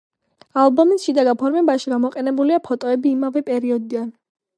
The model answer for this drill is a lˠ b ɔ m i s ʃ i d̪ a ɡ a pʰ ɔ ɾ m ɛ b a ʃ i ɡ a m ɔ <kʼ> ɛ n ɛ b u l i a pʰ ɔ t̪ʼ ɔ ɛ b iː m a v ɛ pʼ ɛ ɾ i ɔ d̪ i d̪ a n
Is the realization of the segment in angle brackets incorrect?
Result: yes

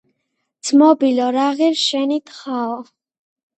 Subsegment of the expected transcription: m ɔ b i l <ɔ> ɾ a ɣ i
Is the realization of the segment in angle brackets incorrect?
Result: no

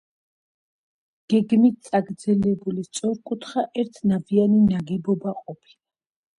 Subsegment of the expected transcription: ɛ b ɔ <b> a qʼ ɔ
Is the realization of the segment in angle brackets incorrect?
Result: no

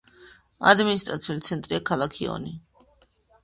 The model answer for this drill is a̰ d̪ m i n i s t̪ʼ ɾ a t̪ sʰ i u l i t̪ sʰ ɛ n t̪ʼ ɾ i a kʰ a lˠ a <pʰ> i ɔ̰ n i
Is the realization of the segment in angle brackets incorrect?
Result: yes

